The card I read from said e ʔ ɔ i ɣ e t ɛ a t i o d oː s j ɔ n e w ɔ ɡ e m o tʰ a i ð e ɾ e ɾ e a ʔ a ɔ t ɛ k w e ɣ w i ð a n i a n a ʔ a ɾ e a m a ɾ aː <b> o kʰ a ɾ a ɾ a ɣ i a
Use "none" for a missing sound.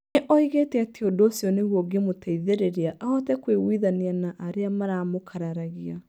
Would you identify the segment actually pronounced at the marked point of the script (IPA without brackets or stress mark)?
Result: m